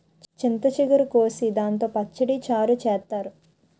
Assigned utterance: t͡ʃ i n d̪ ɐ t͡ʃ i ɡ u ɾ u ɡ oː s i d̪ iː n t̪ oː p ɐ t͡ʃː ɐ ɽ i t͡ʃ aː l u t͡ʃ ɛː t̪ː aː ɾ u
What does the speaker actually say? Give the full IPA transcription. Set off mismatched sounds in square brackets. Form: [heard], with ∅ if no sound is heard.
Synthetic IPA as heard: t͡ʃ i n [t̪] ɐ t͡ʃ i ɡ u ɾ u [k] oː s i d̪ [aː] n t̪ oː p ɐ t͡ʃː ɐ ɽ i t͡ʃ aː [ɾ] u t͡ʃ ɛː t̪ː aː ɾ u